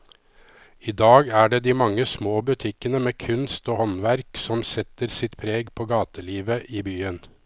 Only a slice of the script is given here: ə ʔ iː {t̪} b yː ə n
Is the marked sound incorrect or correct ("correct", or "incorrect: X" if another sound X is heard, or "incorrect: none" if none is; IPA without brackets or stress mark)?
incorrect: none